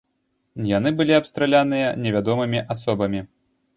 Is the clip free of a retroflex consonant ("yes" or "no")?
yes